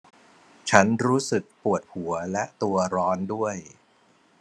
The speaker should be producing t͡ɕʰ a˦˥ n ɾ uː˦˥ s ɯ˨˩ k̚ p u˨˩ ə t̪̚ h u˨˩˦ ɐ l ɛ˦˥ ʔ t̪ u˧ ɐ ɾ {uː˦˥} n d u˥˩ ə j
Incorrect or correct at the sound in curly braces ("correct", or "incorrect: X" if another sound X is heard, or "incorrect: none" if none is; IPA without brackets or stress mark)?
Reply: incorrect: ɔː˦˥